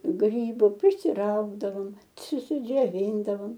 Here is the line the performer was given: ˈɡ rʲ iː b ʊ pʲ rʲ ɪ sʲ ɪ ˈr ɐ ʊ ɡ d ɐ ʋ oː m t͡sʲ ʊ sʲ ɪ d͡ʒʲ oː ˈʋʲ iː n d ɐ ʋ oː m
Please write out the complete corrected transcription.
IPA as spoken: ˈɡ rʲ iː b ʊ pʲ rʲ ɪ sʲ ɪ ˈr ɐ ʊ ɡ d ɐ ʋ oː m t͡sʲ ʊ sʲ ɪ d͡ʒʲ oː ˈʋʲ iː n d ɐ ʋ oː m